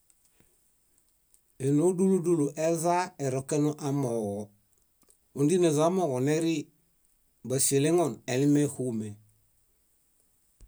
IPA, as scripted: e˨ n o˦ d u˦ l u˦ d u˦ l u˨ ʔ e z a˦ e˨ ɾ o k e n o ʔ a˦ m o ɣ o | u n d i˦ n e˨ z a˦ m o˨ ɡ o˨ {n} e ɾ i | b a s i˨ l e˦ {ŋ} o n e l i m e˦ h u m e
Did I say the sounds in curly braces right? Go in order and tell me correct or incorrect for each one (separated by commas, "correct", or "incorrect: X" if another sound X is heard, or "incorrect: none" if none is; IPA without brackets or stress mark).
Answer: correct, correct